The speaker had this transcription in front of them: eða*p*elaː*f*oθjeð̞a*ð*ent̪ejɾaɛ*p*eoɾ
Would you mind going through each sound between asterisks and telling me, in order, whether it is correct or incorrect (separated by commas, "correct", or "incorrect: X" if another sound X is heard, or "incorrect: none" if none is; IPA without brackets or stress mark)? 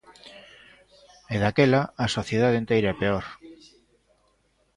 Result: incorrect: k, incorrect: s, correct, correct